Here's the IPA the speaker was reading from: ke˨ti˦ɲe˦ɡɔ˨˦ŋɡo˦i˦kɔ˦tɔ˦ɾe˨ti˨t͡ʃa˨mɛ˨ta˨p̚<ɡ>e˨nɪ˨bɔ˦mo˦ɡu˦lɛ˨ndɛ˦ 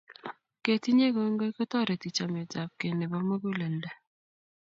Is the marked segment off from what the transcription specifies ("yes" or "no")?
yes